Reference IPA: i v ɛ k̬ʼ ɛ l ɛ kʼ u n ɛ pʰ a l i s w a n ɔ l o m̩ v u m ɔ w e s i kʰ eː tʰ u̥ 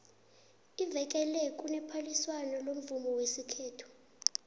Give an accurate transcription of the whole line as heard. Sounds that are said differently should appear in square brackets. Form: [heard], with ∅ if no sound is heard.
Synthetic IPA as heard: i v ɛ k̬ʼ ɛ l ɛ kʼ u n ɛ pʰ a l i s w a n ɔ l o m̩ v u m ɔ w e s i kʰ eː tʰ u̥